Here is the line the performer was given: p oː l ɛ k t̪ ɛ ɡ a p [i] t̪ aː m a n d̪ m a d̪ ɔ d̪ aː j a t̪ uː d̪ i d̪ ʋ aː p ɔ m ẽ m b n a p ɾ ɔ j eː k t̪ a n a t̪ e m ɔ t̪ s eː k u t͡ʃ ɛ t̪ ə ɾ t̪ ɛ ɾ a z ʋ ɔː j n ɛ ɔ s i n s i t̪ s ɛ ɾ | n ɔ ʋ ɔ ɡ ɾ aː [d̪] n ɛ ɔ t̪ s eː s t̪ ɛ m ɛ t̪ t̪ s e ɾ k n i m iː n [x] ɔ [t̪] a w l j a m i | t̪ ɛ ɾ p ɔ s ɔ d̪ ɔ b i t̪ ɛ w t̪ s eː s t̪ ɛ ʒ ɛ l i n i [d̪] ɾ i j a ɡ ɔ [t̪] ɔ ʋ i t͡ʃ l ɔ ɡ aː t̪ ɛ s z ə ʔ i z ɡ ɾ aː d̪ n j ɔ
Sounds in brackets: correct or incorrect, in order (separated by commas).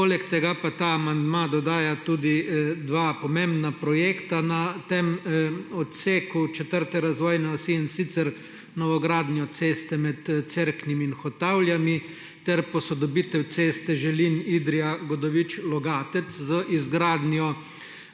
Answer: incorrect, correct, correct, correct, correct, incorrect